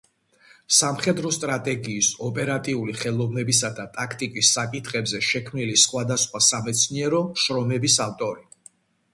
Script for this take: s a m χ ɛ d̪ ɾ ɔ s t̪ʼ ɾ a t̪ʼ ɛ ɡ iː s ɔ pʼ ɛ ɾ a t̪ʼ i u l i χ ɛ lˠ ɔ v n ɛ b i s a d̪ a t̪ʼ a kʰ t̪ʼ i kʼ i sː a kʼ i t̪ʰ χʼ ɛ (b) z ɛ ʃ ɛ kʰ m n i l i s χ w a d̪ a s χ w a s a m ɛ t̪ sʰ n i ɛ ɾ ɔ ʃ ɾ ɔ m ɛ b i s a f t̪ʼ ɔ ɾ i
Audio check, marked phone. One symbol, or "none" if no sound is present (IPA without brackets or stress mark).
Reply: b